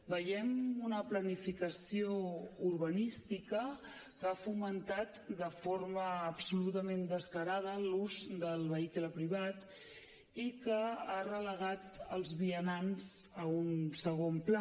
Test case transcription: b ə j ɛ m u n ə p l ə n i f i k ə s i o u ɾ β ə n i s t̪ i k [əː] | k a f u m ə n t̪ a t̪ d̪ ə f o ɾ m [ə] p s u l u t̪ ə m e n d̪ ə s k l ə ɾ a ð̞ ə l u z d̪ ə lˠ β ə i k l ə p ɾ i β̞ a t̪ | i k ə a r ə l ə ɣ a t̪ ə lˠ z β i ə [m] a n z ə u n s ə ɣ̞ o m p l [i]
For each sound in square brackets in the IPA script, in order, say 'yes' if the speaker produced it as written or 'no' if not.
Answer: no, no, no, no

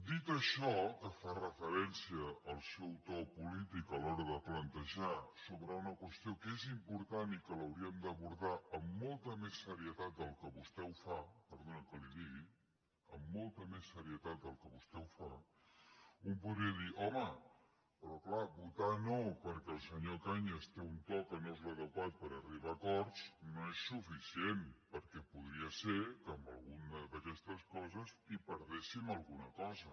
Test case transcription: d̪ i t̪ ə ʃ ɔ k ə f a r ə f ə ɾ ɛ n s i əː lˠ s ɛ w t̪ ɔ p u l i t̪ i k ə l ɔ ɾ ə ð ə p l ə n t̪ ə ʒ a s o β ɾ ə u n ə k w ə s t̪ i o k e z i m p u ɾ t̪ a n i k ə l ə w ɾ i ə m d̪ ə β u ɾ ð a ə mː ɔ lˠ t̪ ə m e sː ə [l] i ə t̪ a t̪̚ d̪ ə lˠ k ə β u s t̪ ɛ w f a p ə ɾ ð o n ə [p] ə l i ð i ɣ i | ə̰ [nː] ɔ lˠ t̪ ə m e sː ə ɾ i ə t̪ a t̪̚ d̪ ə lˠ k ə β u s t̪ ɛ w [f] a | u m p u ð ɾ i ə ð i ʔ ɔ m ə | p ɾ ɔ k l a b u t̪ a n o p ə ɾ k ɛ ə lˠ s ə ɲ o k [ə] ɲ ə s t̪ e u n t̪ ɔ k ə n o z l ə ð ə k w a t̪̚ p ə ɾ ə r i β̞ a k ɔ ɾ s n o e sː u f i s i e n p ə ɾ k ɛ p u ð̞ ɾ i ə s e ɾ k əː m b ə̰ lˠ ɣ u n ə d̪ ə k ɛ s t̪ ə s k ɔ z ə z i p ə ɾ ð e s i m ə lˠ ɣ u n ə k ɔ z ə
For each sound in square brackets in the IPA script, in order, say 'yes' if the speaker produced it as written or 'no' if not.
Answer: no, no, no, yes, no

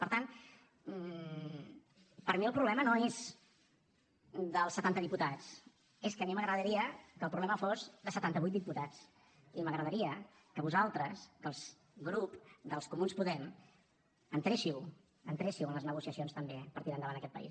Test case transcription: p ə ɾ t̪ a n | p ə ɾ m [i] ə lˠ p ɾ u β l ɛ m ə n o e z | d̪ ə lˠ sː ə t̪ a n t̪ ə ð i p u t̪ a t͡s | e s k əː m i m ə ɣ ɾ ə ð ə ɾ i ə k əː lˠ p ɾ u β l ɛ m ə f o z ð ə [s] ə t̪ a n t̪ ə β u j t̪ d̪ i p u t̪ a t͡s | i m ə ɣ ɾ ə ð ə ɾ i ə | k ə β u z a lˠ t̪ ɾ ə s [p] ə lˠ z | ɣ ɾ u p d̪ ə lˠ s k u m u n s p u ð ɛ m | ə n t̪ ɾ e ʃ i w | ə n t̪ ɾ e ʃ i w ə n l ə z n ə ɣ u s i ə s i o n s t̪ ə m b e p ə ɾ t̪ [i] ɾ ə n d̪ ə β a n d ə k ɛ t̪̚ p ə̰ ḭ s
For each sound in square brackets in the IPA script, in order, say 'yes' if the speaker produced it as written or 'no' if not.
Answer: yes, yes, no, yes

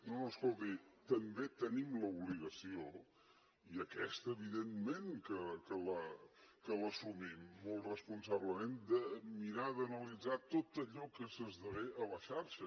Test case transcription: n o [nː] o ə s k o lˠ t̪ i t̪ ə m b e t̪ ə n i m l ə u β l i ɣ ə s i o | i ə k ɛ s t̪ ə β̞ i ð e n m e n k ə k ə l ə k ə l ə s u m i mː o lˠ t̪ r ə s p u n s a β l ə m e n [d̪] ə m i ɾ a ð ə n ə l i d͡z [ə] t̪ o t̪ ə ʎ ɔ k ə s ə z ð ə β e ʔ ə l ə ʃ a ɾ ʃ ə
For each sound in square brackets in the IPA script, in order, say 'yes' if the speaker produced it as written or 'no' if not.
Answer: no, yes, no

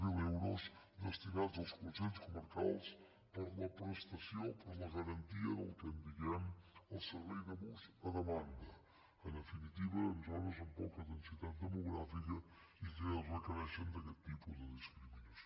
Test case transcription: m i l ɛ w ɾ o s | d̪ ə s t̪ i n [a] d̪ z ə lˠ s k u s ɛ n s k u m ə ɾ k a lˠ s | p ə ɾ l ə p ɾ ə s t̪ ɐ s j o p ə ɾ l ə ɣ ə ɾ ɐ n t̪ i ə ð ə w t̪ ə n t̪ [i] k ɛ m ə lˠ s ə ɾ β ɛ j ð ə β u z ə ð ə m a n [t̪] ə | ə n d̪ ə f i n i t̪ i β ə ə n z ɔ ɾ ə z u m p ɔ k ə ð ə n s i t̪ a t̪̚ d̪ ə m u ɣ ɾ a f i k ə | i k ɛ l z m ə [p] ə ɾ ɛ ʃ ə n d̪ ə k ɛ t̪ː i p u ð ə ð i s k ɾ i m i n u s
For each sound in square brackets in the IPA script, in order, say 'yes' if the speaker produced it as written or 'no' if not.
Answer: yes, yes, no, no

